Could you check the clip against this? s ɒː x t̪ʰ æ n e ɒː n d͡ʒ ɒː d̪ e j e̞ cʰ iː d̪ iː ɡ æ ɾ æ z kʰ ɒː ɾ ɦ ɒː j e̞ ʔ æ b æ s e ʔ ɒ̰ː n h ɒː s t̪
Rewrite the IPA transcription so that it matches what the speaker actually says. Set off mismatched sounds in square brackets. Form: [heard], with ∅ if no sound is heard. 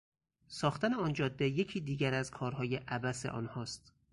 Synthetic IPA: s ɒː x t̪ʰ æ n e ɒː n d͡ʒ ɒː [d̪ː] e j e̞ cʰ iː d̪ iː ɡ æ ɾ æ z kʰ ɒː ɾ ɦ ɒː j e̞ ʔ æ b æ s e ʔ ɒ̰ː n h ɒː s t̪